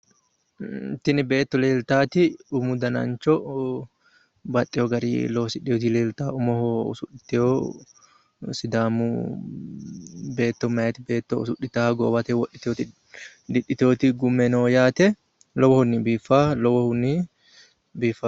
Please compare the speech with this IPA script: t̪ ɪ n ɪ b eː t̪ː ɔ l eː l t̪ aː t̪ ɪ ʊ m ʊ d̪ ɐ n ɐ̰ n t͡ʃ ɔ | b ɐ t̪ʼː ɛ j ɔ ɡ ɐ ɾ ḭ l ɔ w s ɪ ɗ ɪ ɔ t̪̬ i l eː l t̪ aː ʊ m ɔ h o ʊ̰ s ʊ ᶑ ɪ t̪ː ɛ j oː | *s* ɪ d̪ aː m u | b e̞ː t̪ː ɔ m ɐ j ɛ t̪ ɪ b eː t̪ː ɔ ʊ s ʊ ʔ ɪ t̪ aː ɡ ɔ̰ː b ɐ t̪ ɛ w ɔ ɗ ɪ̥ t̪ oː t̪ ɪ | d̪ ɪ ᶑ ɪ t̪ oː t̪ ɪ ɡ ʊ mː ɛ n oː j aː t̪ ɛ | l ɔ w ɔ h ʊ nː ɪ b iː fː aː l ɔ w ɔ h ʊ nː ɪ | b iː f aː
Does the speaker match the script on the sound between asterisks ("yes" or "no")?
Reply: yes